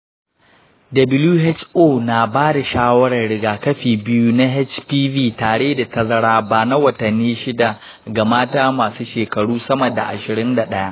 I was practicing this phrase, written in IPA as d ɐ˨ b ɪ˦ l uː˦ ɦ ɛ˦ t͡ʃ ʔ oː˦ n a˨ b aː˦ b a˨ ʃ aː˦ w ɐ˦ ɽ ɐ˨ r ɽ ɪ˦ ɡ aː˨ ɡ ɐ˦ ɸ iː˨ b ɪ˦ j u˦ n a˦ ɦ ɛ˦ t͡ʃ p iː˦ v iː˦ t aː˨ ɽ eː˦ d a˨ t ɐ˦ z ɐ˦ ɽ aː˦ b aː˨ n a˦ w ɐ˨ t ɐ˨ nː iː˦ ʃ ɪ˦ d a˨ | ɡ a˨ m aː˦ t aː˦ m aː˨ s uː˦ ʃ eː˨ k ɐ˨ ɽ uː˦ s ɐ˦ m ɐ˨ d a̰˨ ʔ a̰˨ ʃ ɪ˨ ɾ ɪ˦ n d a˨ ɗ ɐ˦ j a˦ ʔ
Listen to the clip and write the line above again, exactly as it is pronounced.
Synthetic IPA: d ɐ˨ b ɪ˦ l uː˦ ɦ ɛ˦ t͡ʃ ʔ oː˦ n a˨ b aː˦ d a˨ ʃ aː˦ w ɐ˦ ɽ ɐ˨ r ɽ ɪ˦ ɡ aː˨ k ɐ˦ ɸ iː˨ b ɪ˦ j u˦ n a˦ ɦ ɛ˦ t͡ʃ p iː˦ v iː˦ t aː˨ ɽ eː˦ d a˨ t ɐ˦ z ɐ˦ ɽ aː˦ b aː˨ n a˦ w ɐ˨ t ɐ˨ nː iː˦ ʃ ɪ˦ d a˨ | ɡ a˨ m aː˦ t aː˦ m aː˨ s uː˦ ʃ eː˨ k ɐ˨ ɽ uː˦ s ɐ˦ m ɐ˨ d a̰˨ ʔ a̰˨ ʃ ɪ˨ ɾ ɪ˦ n d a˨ ɗ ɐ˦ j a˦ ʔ